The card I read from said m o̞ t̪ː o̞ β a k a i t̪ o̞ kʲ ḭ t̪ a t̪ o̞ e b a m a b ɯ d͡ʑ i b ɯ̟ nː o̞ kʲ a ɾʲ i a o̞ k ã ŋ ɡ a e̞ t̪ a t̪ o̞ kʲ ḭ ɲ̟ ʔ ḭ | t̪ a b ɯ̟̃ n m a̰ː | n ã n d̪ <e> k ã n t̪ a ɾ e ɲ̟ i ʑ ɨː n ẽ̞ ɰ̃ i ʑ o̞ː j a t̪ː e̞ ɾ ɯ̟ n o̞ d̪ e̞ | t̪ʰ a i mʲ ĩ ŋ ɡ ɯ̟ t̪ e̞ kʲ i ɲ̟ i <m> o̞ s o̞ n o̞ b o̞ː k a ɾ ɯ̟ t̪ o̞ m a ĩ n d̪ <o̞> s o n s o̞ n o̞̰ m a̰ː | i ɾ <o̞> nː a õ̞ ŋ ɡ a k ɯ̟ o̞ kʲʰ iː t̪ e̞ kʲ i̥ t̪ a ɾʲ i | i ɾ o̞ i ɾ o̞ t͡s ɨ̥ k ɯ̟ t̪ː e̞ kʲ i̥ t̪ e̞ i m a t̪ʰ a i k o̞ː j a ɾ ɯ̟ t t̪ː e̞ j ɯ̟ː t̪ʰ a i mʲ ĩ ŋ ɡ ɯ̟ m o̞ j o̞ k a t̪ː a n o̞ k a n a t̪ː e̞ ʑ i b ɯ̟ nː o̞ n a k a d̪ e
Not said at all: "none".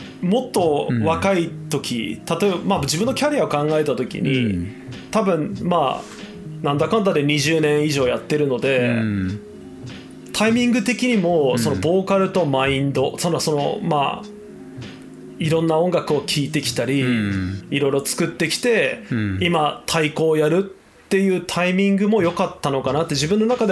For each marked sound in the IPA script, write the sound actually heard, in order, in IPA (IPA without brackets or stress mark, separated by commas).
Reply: a, m, o̞, õ̞